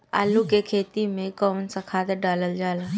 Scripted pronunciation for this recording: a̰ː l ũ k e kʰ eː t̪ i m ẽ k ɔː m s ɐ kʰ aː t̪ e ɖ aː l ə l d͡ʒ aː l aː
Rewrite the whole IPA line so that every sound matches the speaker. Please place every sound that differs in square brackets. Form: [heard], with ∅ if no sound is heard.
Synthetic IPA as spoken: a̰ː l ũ k e kʰ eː t̪ i m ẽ k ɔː [n] s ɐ kʰ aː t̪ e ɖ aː l ə l d͡ʒ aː l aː